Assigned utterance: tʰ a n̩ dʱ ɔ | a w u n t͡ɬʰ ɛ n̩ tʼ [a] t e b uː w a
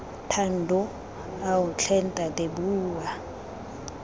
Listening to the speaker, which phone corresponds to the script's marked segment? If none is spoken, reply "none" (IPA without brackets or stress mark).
a